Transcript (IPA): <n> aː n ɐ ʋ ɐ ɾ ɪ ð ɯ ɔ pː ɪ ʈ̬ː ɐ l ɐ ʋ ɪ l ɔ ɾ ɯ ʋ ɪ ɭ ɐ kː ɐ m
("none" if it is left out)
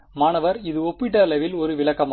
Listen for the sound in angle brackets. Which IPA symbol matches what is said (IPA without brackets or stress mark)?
m